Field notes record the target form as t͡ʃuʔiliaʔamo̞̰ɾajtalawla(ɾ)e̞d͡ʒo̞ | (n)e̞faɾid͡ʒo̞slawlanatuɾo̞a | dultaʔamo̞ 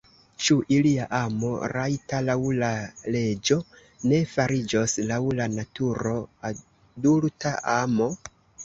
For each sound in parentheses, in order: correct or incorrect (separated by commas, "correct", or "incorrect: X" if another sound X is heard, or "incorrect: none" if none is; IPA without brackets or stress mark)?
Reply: incorrect: l, correct